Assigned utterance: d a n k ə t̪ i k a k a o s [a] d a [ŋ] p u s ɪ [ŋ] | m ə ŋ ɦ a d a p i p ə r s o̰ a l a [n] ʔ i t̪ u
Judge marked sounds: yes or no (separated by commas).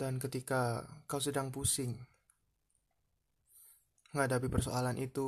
no, yes, yes, yes